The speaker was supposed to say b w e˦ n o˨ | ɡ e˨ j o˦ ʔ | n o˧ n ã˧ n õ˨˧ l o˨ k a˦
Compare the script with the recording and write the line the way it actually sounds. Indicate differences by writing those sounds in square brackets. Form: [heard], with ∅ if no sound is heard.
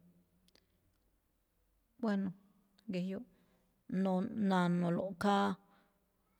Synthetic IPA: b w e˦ n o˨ | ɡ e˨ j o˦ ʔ | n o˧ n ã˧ n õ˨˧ l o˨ k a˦

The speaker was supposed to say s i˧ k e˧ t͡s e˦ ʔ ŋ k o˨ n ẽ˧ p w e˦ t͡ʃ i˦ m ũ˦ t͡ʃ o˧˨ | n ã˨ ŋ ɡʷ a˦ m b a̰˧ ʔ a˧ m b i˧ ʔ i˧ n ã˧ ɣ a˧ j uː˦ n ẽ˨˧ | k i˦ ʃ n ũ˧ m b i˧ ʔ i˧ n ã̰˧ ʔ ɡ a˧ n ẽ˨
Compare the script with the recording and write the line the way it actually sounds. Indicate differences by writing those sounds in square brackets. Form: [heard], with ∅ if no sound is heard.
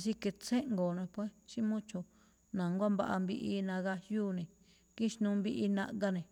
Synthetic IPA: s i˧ k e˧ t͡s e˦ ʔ ŋ [ɡ] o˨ n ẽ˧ p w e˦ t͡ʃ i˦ m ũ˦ t͡ʃ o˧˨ | n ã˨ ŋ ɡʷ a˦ m b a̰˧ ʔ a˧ m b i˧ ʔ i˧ n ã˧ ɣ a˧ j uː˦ n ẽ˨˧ | k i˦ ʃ n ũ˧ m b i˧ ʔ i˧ n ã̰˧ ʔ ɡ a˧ n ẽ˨

